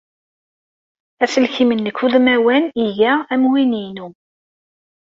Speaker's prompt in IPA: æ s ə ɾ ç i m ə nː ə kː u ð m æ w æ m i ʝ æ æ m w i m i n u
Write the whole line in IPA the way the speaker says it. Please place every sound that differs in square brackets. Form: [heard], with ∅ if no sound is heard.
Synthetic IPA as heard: æ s ə [l] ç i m ə nː ə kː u ð m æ w æ [n] i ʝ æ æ m w i [n] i n u